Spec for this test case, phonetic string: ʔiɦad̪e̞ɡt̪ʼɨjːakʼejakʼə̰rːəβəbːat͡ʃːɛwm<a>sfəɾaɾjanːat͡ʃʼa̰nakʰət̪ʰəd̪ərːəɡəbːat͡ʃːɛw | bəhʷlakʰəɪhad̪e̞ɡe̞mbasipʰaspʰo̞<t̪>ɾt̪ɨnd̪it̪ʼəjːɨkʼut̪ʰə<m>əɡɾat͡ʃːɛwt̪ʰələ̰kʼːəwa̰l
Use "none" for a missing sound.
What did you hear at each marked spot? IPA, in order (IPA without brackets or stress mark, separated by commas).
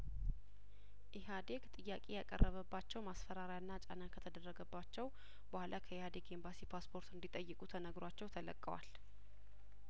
a, none, n